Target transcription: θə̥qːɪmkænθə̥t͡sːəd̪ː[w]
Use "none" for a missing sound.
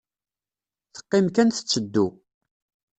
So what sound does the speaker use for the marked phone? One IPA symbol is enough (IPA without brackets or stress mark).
u